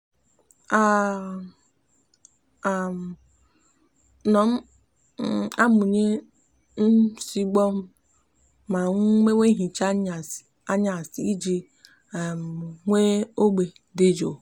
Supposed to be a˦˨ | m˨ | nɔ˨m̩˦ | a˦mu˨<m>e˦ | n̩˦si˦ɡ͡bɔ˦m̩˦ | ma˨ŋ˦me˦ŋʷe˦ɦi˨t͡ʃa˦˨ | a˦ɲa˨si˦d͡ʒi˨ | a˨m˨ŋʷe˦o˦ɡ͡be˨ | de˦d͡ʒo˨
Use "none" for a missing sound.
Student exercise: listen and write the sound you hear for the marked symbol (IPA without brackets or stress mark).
ɲ